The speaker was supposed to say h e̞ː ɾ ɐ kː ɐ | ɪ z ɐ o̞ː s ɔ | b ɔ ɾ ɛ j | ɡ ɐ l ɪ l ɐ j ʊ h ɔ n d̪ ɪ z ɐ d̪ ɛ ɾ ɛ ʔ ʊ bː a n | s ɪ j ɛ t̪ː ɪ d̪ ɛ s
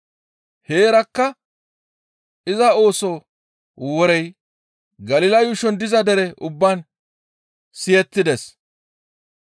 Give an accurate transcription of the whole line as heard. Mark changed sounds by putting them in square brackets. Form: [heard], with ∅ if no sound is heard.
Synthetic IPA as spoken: h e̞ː ɾ ɐ kː ɐ | ɪ z ɐ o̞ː s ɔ | [w] ɔ ɾ ɛ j | ɡ ɐ l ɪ l ɐ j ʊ [ʃ] ɔ n d̪ ɪ z ɐ d̪ ɛ ɾ ɛ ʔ ʊ bː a n | s ɪ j ɛ t̪ː ɪ d̪ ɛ s

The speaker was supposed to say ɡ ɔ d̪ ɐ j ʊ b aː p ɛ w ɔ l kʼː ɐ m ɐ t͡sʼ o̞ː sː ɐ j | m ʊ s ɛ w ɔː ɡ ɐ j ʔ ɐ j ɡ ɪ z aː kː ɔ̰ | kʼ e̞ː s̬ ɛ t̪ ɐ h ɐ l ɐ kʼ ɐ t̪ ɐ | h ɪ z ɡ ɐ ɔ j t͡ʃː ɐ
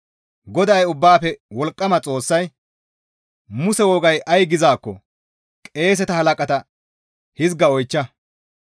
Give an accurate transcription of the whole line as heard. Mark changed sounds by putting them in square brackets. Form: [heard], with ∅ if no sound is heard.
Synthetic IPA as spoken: ɡ ɔ d̪ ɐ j ʊ [bː] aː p ɛ w ɔ l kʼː ɐ m ɐ t͡sʼ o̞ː sː ɐ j | m ʊ s ɛ w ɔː ɡ ɐ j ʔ ɐ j ɡ ɪ z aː kː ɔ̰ | kʼ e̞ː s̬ ɛ t̪ ɐ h ɐ l ɐ kʼ ɐ t̪ ɐ | h ɪ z ɡ ɐ ɔ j t͡ʃː ɐ

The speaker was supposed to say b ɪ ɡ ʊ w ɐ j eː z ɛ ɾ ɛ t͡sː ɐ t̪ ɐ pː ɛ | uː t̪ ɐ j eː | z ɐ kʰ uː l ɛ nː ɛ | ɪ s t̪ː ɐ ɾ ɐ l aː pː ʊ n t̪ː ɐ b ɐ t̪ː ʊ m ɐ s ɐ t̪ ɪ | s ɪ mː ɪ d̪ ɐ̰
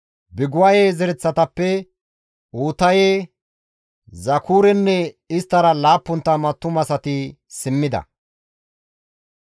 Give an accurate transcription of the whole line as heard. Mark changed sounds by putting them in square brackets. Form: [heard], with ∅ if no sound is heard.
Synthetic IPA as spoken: b ɪ ɡ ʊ w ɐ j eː z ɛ ɾ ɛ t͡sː ɐ t̪ ɐ pː ɛ | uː t̪ ɐ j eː | z ɐ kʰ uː [ɾ] ɛ nː ɛ | ɪ s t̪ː ɐ ɾ ɐ l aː pː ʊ n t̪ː ɐ [m] ɐ t̪ː ʊ m ɐ s ɐ t̪ ɪ | s ɪ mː ɪ d̪ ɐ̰

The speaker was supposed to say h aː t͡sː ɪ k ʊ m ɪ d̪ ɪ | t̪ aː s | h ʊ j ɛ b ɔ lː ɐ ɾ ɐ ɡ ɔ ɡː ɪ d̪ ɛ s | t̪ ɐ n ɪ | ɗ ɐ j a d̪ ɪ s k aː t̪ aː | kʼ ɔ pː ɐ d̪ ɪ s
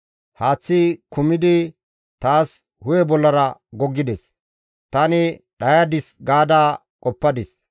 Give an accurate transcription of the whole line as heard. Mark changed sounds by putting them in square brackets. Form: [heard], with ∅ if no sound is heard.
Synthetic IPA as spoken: h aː t͡sː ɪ k ʊ m ɪ d̪ ɪ | t̪ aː s | h ʊ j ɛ b ɔ lː ɐ ɾ ɐ ɡ ɔ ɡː ɪ d̪ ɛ s | t̪ ɐ n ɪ | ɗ ɐ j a d̪ ɪ s [ɡ] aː [d̪] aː | kʼ ɔ pː ɐ d̪ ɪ s

